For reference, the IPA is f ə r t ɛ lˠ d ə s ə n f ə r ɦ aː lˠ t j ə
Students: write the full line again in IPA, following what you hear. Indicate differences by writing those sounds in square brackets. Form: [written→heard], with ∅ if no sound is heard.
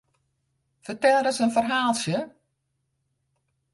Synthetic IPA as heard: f ə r t ɛ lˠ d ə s ə n f ə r ɦ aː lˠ [t→s] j ə